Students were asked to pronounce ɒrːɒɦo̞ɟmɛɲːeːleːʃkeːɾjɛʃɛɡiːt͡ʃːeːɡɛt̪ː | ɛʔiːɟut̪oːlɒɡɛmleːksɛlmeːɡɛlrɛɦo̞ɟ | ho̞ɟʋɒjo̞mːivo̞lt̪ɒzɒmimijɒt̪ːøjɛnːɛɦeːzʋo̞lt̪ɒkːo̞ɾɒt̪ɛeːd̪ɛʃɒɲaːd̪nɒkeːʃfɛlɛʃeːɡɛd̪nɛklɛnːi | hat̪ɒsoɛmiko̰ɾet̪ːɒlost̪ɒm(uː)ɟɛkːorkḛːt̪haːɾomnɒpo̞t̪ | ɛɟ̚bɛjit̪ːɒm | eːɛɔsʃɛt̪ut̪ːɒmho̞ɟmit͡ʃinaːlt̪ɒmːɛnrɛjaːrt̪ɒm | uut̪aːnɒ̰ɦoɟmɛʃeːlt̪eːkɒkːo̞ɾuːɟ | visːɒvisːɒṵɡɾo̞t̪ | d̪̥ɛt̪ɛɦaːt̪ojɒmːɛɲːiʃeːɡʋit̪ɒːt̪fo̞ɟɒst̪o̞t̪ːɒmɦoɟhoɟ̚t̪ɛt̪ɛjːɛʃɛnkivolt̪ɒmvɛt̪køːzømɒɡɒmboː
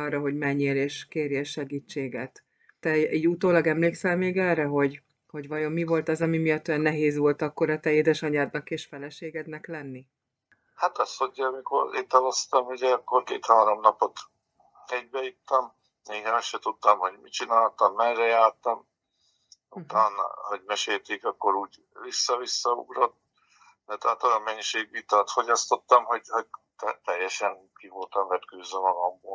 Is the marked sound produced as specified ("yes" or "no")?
no